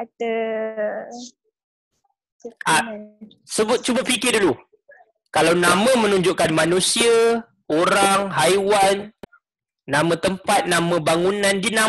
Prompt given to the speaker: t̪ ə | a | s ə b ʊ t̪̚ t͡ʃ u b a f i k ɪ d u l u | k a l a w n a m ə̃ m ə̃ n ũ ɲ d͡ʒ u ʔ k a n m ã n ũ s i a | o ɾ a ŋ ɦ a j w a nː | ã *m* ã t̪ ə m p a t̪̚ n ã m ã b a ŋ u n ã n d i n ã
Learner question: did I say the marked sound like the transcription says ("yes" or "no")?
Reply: yes